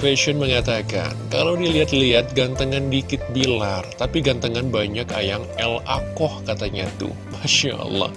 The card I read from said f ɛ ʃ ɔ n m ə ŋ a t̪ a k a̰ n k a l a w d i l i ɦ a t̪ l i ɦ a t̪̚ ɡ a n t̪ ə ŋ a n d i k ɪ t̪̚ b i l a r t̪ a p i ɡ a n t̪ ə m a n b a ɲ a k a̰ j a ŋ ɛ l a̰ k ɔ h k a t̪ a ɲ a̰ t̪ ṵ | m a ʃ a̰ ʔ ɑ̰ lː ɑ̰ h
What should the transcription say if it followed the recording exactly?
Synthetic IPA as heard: f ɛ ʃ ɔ n m ə ŋ a t̪ a k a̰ n k a l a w d i l i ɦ a t̪ l i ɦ a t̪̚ ɡ a n t̪ ə ŋ a n d i k ɪ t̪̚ b i l a r t̪ a p i ɡ a n t̪ ə ŋ a n b a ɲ a k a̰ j a ŋ ɛ l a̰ k ɔ h k a t̪ a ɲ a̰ t̪ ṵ | m a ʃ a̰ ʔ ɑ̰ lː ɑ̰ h